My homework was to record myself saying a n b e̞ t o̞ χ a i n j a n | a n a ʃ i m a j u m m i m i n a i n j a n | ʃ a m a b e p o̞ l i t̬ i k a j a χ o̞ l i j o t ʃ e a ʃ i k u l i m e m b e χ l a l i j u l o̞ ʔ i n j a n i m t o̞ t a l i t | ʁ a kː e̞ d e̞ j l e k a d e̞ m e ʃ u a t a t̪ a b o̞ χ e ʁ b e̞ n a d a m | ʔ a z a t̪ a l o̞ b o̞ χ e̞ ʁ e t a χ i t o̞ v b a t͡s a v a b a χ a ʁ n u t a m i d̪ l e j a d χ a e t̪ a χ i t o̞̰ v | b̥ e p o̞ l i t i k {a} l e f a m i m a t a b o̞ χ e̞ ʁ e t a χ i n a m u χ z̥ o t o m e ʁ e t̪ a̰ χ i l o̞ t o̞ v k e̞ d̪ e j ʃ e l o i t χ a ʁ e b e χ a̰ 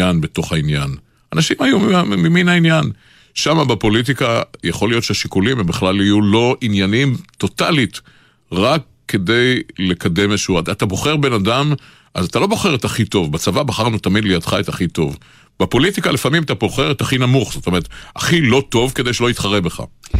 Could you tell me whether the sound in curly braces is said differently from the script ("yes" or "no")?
no